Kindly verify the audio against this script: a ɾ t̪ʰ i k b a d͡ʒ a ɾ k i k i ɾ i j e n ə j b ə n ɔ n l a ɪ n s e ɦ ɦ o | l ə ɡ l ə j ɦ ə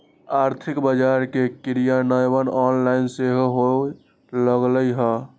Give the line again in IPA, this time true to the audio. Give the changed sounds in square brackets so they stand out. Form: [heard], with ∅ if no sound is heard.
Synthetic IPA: a ɾ t̪ʰ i k b [ə] d͡ʒ a ɾ k [e] k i ɾ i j [a] n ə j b ə n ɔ n l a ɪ n s e ɦ ɦ o | l ə ɡ l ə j ɦ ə